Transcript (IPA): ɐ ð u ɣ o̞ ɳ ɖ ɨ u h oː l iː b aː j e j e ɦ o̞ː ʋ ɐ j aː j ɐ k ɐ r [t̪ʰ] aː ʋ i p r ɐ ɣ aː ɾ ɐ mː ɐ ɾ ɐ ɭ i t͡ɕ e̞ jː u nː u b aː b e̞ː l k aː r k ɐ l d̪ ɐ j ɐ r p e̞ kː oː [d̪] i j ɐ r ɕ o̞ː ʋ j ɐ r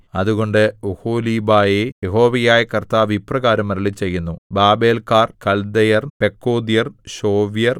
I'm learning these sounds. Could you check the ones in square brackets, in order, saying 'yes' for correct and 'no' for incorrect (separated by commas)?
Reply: no, yes